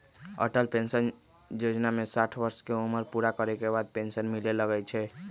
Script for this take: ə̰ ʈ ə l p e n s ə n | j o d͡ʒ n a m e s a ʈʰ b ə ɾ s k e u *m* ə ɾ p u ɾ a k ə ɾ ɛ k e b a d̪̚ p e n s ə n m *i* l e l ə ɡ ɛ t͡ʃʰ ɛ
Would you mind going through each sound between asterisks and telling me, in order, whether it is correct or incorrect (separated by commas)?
correct, correct